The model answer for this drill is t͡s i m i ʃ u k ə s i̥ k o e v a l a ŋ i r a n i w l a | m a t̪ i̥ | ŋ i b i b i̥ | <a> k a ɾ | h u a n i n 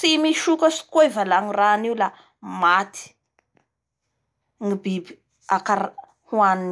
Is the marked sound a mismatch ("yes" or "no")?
no